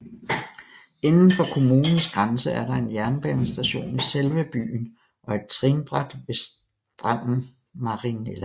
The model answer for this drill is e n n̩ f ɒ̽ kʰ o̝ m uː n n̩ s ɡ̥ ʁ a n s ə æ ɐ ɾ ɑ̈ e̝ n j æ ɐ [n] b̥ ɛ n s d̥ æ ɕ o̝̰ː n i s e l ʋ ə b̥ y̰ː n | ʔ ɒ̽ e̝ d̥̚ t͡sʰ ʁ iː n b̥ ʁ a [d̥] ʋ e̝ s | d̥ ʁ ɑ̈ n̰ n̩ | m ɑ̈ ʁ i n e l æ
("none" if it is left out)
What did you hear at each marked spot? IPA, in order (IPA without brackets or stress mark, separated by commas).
n, d̥